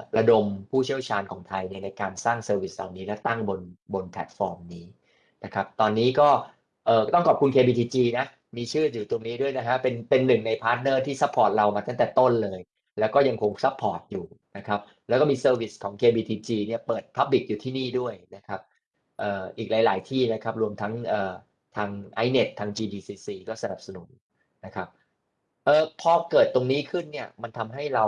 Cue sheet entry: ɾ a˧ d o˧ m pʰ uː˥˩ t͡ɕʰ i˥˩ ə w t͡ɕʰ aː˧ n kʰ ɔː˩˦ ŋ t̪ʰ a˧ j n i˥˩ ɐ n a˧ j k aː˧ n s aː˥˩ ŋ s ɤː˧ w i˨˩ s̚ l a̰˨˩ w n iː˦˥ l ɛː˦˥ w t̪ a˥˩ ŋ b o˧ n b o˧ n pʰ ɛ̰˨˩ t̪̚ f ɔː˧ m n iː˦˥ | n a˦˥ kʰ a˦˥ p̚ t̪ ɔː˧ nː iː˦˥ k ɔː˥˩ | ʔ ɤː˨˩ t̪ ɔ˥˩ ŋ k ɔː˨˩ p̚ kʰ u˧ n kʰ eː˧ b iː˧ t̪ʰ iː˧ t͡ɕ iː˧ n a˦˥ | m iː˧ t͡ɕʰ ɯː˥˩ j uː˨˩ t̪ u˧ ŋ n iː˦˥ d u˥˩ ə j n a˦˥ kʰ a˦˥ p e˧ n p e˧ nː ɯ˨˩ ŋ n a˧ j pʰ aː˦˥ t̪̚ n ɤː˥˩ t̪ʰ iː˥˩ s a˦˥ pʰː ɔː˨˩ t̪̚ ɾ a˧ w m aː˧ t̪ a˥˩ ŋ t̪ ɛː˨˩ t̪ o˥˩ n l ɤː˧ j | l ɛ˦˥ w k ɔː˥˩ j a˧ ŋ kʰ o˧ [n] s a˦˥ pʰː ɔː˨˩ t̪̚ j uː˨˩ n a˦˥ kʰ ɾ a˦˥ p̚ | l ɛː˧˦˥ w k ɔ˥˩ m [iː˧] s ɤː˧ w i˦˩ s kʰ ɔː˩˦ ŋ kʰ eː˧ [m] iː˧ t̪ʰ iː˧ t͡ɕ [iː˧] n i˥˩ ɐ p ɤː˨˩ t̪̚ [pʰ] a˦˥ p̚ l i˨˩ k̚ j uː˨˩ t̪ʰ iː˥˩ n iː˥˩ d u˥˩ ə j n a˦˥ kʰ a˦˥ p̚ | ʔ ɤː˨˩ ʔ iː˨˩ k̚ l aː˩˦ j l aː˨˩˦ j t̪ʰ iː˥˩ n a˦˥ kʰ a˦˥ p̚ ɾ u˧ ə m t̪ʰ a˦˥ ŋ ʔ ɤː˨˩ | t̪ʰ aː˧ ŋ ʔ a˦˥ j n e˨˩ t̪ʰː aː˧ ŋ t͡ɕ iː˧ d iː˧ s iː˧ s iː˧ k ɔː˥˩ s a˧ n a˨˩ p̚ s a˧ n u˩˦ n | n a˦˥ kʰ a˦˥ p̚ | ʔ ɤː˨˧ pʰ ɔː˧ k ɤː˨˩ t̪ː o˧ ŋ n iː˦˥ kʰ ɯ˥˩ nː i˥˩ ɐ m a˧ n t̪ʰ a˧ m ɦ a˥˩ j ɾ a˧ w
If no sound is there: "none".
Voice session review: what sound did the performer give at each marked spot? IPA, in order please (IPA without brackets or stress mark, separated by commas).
ŋ, iː˧, b, iː˧, pʰ